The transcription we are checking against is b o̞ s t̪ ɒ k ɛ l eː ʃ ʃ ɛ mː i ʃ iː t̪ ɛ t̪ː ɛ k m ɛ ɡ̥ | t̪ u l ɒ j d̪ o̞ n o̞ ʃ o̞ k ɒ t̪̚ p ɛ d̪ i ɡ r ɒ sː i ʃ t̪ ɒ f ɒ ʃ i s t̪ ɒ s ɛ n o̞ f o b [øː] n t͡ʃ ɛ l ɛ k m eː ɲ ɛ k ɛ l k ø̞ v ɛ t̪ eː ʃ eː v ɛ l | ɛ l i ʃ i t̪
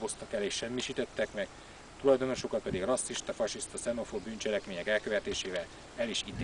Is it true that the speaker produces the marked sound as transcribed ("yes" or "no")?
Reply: no